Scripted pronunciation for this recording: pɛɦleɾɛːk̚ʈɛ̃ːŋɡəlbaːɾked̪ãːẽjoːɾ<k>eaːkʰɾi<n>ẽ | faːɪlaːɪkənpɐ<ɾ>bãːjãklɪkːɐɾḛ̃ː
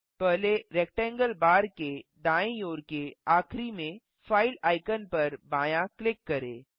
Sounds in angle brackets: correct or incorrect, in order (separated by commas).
correct, incorrect, correct